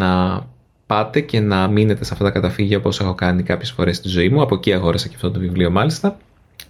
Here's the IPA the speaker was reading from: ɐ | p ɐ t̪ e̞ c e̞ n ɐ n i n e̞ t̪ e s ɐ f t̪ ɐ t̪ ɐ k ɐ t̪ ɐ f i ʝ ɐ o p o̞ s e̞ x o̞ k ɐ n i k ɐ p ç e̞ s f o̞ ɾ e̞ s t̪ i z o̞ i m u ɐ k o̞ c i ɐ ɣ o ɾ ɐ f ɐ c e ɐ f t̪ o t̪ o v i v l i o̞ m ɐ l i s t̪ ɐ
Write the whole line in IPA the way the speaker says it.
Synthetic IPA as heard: ɐ | p ɐ t̪ e̞ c e̞ n ɐ m i n e̞ t̪ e s ɐ f t̪ ɐ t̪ ɐ k ɐ t̪ ɐ f i ʝ ɐ o p o̞ s e̞ x o̞ k ɐ n i k ɐ p ç e̞ s f o̞ ɾ e̞ s t̪ i z o̞ i m u ɐ p o̞ c i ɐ ɣ o ɾ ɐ s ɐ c e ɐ f t̪ o t̪ o v i v l i o̞ m ɐ l i s t̪ ɐ